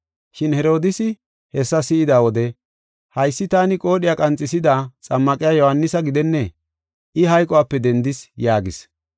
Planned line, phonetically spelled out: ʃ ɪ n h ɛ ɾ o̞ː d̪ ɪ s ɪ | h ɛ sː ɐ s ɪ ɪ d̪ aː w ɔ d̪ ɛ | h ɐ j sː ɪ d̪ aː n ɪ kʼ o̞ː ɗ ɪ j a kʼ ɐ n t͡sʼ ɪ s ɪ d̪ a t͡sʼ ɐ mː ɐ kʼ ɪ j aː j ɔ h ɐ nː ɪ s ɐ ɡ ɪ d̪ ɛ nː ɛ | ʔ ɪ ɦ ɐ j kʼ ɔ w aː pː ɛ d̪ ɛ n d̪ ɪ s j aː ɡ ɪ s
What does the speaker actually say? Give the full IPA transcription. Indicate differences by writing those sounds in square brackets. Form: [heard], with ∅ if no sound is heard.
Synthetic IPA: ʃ ɪ n h ɛ ɾ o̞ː d̪ ɪ s ɪ | h ɛ sː ɐ s ɪ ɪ d̪ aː w ɔ d̪ ɛ | h ɐ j sː ɪ [t̪] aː n ɪ kʼ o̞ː ɗ ɪ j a kʼ ɐ n t͡sʼ ɪ s ɪ d̪ a t͡sʼ ɐ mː ɐ kʼ ɪ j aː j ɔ h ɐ nː ɪ s ɐ ɡ ɪ d̪ ɛ nː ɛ | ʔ ɪ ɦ ɐ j kʼ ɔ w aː pː ɛ d̪ ɛ n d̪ ɪ s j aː ɡ ɪ s